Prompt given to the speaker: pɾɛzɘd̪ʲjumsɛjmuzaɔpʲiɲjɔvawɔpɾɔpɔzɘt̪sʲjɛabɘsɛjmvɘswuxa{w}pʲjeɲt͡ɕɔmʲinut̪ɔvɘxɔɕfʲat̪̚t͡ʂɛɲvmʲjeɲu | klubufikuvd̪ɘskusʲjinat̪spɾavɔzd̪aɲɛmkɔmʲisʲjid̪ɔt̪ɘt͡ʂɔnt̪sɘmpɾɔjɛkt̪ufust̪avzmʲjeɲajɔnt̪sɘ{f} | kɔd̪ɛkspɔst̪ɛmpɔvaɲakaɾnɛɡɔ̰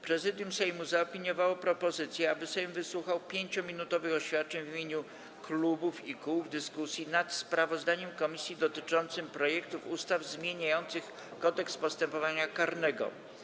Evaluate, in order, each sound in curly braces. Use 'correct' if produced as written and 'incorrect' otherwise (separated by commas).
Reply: correct, incorrect